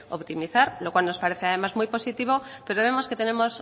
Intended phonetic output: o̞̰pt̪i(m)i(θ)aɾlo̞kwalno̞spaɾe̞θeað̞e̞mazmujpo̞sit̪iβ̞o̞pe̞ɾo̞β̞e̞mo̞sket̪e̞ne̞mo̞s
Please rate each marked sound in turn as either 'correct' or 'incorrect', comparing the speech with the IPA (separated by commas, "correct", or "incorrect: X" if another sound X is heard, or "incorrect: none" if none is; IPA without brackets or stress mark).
correct, correct